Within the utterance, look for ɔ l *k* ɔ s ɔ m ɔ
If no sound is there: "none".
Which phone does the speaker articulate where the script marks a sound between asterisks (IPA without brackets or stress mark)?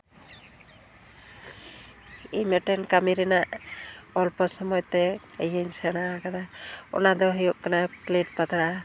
p